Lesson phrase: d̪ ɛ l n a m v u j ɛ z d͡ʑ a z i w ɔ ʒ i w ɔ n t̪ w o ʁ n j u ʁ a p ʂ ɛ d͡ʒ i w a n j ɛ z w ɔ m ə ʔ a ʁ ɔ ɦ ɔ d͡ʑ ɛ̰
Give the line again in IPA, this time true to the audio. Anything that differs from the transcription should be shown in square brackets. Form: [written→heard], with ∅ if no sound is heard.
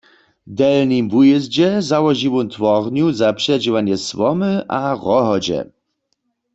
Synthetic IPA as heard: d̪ ɛ l n [a→i] m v u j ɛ z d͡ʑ [a→ɛ] z [i→a] w ɔ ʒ i w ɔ n t̪ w [o→ɔ] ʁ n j u [ʁ→z] a p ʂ ɛ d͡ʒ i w a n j ɛ [z→s] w ɔ m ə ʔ a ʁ ɔ ɦ ɔ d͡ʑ ɛ̰